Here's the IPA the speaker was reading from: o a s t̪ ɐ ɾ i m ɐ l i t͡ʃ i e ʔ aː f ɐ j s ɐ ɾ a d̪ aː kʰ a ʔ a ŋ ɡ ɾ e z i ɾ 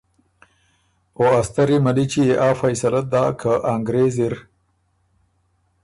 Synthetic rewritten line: o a s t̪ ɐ ɾ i m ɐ l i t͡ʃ i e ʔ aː f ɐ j s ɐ l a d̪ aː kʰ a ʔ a ŋ ɡ ɾ e z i ɾ